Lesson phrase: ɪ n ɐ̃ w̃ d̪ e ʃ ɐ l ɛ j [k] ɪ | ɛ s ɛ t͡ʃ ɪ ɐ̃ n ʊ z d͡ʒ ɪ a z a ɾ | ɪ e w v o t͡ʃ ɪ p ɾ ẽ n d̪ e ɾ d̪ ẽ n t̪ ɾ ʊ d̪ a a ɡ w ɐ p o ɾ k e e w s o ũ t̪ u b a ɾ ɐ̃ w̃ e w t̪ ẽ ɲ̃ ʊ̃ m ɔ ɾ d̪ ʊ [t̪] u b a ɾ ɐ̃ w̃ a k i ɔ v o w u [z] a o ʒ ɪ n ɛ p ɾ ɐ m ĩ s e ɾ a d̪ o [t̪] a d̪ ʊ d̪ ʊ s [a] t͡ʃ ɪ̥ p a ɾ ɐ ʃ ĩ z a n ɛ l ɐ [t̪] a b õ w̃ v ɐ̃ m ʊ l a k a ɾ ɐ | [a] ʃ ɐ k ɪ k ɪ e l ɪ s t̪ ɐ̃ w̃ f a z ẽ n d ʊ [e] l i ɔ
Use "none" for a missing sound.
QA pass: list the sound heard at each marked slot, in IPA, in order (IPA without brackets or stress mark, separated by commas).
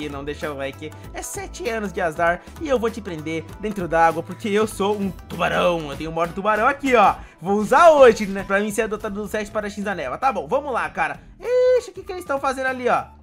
k, t̪, z, t̪, ɛ, t̪, e, a